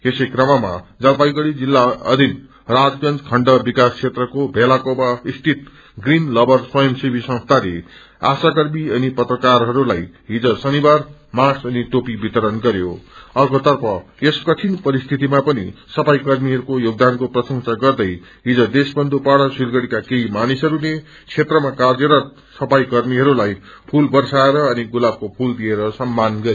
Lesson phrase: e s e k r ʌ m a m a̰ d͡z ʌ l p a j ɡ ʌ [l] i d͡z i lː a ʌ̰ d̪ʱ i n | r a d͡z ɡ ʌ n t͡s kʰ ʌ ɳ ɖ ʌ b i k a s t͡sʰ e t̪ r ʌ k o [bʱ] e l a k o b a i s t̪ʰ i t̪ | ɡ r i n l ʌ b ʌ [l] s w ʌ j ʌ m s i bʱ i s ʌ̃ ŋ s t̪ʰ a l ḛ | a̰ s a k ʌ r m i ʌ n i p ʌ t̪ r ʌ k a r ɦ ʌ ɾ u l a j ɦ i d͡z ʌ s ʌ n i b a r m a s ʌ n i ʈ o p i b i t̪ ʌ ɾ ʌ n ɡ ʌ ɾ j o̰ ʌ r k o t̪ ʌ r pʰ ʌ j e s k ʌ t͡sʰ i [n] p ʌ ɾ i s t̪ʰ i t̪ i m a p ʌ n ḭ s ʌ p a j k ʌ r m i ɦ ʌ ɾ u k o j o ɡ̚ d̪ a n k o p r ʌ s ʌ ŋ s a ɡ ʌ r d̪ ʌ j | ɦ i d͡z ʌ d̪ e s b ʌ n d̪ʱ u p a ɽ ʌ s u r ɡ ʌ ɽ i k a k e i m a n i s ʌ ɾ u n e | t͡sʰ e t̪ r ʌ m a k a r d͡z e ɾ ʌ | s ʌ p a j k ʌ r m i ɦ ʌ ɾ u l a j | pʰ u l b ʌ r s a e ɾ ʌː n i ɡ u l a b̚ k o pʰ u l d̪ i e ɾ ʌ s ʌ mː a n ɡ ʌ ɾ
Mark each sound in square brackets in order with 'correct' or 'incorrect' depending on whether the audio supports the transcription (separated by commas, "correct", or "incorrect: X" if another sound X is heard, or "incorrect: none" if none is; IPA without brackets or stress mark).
incorrect: ɽ, correct, incorrect: r, correct